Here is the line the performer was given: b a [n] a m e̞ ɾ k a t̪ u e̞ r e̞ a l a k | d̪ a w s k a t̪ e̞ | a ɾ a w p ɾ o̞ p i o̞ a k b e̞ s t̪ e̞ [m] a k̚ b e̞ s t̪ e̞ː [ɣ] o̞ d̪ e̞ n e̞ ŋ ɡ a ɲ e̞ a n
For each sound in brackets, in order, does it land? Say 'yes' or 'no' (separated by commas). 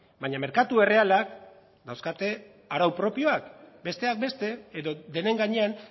no, no, no